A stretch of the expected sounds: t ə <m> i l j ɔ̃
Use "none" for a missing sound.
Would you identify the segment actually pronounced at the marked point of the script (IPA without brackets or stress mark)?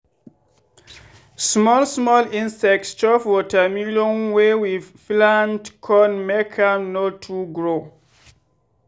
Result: m